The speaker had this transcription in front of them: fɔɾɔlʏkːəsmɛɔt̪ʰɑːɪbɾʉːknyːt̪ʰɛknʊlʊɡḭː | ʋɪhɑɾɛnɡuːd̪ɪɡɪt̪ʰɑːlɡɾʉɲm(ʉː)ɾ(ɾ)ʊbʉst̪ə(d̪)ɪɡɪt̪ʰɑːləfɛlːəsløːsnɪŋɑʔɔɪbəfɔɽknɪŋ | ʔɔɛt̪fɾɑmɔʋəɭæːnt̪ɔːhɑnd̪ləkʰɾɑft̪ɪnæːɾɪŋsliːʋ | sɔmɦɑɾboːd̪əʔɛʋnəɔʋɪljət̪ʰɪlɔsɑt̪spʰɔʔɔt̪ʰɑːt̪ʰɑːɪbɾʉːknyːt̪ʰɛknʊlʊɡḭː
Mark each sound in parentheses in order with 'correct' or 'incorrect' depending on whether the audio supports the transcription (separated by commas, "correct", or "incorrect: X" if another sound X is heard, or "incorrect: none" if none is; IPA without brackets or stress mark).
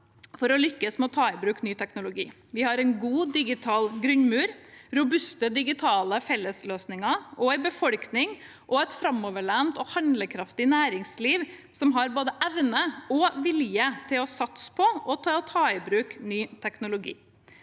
correct, correct, correct